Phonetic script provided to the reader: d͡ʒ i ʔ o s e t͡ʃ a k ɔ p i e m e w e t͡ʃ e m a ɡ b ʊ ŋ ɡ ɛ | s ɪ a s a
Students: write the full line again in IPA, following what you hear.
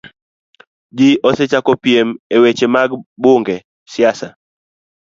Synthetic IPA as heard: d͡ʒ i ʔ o s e t͡ʃ a k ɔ p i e m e w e t͡ʃ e m a ɡ b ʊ ŋ ɡ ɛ | s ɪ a s a